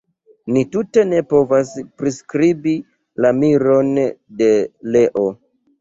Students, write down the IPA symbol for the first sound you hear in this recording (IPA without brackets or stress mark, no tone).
n